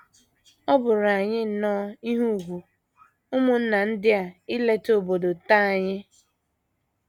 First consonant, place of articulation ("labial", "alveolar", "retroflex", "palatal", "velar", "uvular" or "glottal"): labial